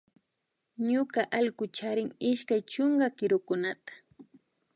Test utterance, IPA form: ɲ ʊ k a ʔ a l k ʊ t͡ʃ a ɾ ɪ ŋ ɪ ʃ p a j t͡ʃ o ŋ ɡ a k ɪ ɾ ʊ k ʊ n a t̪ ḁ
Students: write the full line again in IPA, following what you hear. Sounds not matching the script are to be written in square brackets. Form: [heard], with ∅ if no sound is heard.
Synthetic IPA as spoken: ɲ ʊ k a ʔ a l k ʊ t͡ʃ a ɾ ɪ ŋ ɪ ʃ [k] a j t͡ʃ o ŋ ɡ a k ɪ ɾ ʊ k ʊ n a t̪ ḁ